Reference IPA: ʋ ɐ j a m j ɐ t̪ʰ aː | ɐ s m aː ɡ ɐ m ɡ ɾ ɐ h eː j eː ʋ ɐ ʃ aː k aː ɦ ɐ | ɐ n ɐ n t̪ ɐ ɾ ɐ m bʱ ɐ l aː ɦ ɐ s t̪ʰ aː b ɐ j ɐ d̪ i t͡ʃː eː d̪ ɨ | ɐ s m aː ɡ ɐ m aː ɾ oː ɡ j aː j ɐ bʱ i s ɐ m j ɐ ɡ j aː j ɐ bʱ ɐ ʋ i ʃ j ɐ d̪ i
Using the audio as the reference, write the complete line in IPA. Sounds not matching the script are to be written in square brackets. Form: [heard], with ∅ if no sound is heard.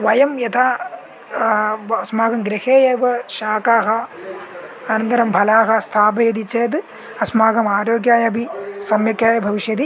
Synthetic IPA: ʋ ɐ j [ɐ] m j ɐ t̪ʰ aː | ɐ s m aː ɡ ɐ m ɡ ɾ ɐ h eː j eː ʋ ɐ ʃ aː k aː ɦ ɐ | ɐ n ɐ n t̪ ɐ ɾ ɐ m bʱ ɐ l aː ɦ ɐ s t̪ʰ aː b ɐ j ɐ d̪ i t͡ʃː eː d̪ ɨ | ɐ s m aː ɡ ɐ m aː ɾ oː ɡ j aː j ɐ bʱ i s ɐ m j ɐ [k] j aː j ɐ bʱ ɐ ʋ i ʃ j ɐ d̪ i